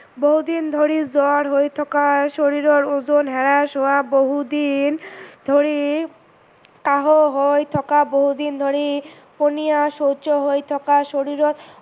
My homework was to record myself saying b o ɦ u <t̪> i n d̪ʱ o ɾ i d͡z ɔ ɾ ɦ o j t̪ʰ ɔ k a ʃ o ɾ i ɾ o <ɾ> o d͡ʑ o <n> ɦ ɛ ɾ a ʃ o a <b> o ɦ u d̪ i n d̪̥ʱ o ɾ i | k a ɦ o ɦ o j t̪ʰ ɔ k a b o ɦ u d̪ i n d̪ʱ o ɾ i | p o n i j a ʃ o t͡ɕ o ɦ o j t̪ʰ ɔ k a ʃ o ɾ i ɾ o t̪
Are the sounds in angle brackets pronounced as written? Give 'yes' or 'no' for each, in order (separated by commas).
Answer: no, yes, yes, yes